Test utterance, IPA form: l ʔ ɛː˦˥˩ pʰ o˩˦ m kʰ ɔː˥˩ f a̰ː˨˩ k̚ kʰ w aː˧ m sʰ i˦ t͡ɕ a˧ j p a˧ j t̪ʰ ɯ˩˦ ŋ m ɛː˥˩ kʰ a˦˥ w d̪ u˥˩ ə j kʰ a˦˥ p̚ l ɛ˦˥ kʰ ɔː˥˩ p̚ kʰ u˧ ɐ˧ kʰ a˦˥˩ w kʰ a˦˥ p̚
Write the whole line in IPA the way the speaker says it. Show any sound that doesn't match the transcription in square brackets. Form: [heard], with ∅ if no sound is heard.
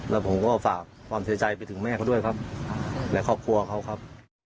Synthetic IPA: l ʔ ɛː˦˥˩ pʰ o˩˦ m [k] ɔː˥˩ f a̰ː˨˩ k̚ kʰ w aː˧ m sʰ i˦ t͡ɕ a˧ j p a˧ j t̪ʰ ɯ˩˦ ŋ m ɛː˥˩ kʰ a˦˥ w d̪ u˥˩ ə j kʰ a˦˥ p̚ l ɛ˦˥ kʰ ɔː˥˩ p̚ kʰ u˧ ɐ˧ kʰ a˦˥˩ w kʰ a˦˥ p̚